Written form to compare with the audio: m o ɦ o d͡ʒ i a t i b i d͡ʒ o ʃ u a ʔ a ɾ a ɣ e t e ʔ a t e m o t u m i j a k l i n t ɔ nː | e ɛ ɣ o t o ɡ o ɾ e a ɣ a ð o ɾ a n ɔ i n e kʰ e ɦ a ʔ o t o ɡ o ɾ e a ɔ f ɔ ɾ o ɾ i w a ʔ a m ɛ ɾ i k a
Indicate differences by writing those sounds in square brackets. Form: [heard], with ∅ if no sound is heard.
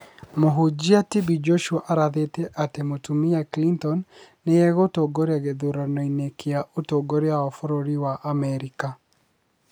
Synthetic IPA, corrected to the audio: m o ɦ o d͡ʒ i a t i b i d͡ʒ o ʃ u a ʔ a ɾ a [ð] e t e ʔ a t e m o t u m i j a k l i n t ɔ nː | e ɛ ɣ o t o ɡ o ɾ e a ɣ [e] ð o ɾ a n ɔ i n e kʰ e [∅] a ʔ o t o ɡ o ɾ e a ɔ f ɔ ɾ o ɾ i w a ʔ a m ɛ ɾ i k a